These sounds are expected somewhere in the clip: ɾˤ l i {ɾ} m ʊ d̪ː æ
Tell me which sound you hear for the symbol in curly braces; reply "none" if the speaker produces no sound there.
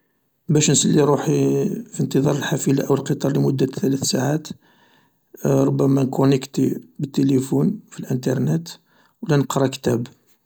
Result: none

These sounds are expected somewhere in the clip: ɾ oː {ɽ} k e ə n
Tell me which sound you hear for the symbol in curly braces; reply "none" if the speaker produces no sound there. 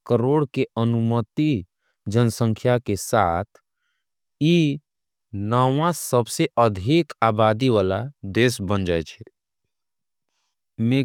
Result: ɽ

